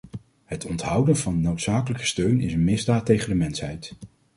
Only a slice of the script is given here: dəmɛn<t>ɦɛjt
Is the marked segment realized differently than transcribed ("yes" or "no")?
yes